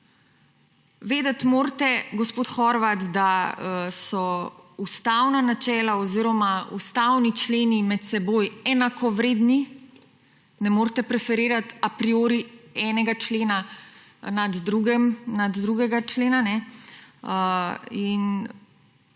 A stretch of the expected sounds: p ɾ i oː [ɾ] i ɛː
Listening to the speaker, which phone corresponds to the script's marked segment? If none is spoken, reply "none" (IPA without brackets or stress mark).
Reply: ɾ